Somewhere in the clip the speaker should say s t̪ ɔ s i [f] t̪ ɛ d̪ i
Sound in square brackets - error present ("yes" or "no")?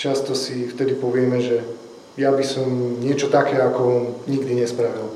no